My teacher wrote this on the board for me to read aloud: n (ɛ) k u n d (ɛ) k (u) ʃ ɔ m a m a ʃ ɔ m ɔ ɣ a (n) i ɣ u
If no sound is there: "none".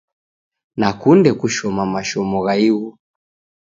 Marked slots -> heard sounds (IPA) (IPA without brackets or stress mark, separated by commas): a, ɛ, u, none